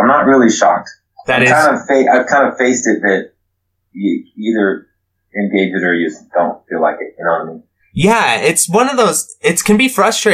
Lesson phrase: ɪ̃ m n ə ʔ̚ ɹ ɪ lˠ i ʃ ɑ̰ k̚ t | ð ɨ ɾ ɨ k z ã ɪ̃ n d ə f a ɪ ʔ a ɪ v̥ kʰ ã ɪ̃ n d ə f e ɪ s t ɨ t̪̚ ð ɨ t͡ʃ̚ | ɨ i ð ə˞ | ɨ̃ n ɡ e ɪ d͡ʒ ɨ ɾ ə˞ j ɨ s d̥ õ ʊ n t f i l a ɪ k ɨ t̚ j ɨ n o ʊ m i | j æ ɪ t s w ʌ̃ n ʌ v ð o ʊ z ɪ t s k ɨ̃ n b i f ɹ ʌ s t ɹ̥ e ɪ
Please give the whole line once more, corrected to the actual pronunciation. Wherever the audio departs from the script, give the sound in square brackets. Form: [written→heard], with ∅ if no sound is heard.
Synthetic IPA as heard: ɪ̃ m n ə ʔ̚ ɹ ɪ lˠ i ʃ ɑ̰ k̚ t | ð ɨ ɾ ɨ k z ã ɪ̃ n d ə f [a→e] ɪ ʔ a ɪ v̥ kʰ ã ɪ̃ n d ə f e ɪ s t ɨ t̪̚ ð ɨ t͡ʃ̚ | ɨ i ð ə˞ | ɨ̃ n ɡ e ɪ d͡ʒ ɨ ɾ ə˞ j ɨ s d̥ õ [ʊ→ʊ̃] n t f i l a ɪ k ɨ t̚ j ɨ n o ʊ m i | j æ ɪ t s w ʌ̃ n ʌ v ð o ʊ z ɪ t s k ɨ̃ n b i f ɹ ʌ s t ɹ̥ e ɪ